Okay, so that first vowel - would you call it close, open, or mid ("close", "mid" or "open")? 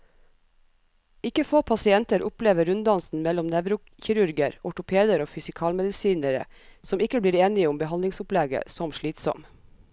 close